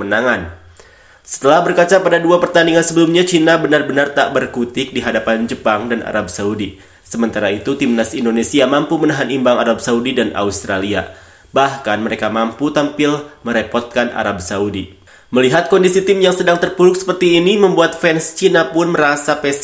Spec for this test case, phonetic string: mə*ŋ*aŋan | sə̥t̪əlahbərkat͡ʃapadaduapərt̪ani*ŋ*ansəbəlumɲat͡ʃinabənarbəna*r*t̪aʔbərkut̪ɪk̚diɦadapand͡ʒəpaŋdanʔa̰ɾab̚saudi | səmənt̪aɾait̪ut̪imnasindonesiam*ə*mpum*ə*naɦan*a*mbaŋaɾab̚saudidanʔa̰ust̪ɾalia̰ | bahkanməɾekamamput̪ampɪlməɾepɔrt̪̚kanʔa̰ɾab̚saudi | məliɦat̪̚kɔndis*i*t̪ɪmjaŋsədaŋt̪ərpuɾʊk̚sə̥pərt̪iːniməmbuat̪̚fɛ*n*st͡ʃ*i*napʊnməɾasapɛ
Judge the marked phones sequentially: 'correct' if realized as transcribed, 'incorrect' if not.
incorrect, correct, correct, incorrect, correct, incorrect, correct, correct, correct

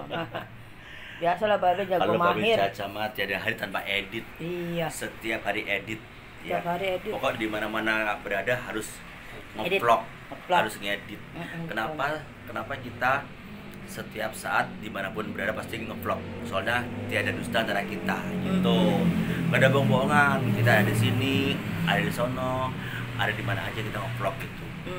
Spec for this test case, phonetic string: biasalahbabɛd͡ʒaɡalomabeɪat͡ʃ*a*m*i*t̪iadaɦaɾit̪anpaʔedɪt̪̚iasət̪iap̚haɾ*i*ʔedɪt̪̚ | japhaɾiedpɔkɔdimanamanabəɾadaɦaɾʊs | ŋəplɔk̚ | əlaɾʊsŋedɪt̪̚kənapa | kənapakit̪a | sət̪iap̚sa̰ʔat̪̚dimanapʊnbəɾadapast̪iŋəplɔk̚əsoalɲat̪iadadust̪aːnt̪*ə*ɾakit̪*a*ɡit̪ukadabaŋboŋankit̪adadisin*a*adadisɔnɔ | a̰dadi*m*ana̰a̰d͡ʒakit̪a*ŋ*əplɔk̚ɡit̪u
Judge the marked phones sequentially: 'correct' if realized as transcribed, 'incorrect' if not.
correct, incorrect, correct, incorrect, correct, incorrect, correct, correct

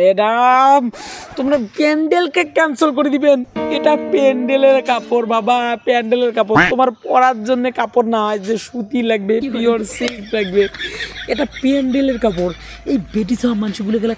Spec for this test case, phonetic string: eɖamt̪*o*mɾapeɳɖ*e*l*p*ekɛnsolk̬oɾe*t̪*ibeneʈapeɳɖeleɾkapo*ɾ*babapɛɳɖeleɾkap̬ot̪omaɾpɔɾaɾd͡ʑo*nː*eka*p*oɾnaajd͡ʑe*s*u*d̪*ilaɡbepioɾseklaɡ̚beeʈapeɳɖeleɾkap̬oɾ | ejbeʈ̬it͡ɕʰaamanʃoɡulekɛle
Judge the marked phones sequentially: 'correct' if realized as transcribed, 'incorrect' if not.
correct, correct, incorrect, incorrect, correct, correct, correct, incorrect, incorrect

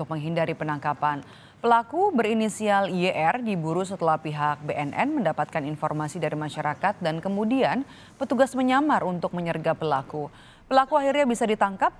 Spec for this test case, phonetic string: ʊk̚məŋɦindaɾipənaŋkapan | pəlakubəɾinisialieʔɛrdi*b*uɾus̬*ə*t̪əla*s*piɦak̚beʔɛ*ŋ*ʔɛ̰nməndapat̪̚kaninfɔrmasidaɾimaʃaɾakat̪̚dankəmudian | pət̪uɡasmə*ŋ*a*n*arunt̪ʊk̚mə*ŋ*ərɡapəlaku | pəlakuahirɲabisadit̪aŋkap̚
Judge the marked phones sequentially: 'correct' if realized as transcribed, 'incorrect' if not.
correct, correct, incorrect, incorrect, incorrect, incorrect, incorrect

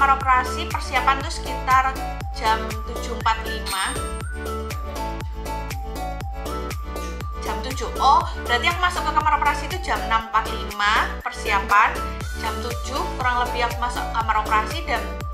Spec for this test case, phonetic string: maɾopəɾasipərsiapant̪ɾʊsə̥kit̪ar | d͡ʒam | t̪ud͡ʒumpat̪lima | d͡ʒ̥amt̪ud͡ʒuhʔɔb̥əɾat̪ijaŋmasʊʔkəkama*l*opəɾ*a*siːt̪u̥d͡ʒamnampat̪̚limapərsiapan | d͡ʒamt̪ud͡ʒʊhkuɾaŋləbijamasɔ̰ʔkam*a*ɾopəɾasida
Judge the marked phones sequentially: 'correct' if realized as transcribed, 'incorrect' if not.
incorrect, correct, correct

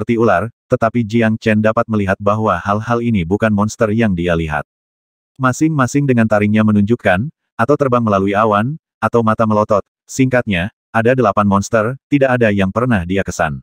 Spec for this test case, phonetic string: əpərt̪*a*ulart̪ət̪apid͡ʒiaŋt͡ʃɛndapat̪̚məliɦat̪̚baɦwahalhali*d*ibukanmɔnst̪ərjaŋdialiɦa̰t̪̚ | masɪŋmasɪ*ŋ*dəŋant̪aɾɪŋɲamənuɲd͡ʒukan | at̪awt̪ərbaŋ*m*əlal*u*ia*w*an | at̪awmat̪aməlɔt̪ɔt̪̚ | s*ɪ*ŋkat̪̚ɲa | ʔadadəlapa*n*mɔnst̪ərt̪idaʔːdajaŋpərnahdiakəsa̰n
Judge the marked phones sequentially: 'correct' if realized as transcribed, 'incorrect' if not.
incorrect, incorrect, correct, correct, correct, correct, incorrect, correct

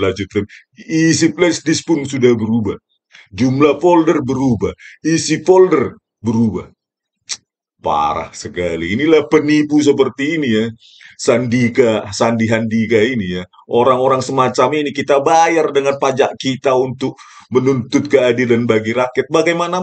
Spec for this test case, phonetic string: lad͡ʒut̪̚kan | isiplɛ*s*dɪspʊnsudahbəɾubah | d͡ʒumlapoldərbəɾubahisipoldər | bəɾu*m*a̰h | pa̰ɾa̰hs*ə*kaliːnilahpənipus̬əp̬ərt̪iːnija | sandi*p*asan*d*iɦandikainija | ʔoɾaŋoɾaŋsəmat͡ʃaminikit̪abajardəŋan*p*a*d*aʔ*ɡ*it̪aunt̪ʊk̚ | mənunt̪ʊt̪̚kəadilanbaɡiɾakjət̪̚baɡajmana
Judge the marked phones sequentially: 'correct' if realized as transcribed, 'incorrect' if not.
correct, incorrect, correct, incorrect, correct, correct, incorrect, incorrect

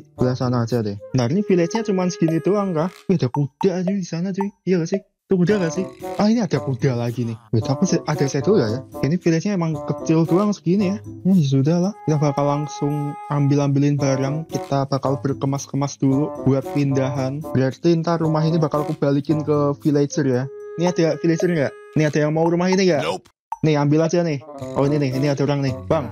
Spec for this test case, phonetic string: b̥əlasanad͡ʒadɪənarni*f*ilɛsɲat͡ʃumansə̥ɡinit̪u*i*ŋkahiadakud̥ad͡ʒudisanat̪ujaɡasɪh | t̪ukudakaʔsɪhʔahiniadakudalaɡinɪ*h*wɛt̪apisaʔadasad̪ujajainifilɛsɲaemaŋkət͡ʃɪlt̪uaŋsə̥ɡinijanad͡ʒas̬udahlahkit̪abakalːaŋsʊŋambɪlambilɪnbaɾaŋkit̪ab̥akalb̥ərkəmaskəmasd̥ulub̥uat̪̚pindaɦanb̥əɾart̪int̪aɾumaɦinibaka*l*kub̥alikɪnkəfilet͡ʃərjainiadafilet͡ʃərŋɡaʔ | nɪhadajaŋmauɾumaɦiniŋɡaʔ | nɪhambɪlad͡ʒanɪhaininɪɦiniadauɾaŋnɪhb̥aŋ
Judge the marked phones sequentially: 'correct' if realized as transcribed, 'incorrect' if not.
correct, incorrect, correct, correct

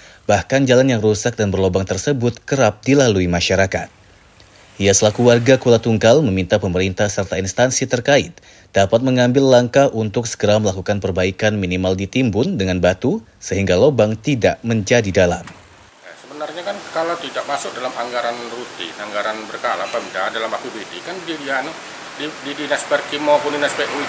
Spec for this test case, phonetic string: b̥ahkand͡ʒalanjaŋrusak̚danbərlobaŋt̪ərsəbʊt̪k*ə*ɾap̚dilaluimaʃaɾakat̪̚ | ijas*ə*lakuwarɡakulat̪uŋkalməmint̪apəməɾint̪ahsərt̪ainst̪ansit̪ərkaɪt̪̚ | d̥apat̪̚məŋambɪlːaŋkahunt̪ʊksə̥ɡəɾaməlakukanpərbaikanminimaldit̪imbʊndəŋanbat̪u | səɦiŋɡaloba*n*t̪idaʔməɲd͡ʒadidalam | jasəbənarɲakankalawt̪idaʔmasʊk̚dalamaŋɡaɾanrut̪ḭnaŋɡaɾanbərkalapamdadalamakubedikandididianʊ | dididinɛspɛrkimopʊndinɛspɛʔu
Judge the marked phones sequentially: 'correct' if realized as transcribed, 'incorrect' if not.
correct, correct, incorrect

